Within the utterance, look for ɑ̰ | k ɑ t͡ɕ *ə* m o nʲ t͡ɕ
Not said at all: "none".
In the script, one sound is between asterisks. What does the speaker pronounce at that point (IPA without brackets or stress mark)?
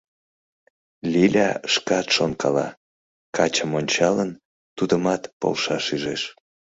ə